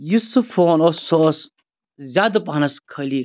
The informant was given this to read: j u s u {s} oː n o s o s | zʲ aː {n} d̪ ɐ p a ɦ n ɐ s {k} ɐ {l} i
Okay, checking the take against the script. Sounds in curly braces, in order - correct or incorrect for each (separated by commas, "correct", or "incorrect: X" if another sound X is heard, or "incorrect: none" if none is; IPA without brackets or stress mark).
incorrect: f, incorrect: none, incorrect: kʰ, correct